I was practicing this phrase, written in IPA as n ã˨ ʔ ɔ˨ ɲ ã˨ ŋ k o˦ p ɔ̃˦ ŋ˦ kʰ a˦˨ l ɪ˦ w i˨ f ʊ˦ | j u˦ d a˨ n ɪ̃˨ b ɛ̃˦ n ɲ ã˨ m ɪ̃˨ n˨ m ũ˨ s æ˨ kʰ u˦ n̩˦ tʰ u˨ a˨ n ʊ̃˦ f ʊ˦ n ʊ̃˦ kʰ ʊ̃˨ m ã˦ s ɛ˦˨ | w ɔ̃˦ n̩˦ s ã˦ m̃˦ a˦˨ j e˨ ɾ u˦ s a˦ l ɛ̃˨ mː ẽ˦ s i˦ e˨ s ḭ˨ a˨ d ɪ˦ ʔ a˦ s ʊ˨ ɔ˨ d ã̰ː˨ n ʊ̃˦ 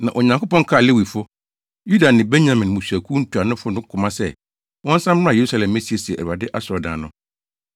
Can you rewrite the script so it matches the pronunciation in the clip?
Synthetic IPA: n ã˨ ʔ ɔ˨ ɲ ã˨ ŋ k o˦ p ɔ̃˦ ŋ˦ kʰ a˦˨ l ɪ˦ w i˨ f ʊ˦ | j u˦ d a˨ n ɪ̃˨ b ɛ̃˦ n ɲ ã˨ m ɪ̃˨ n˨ m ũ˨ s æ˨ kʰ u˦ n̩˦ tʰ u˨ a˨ n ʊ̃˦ f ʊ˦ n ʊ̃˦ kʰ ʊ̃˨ m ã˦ s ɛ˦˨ | w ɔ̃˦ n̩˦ s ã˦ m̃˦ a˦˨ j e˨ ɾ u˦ s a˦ l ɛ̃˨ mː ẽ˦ s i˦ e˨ s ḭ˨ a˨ d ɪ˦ ʔ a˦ s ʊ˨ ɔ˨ d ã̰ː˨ n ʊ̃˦